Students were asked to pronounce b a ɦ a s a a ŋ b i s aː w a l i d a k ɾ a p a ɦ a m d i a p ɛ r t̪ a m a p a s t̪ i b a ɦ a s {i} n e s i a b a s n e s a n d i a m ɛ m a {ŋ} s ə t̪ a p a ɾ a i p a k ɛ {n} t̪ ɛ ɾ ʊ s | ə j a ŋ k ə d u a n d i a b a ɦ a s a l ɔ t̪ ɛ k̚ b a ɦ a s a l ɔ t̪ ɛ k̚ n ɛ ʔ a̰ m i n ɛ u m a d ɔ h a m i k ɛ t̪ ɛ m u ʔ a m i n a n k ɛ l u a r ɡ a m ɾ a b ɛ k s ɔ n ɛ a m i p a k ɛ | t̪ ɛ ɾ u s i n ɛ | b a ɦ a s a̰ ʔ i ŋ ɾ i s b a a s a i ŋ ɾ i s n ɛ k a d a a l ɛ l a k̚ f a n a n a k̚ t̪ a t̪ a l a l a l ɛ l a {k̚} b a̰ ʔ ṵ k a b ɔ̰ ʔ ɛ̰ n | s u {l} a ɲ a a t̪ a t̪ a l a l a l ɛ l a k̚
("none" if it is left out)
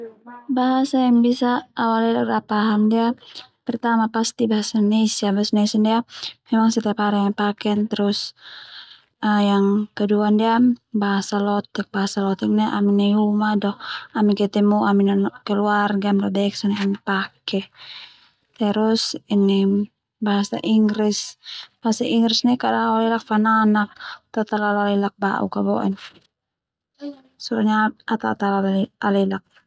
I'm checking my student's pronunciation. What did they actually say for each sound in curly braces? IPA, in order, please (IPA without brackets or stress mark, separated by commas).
a, ŋ, n, k̚, ɾ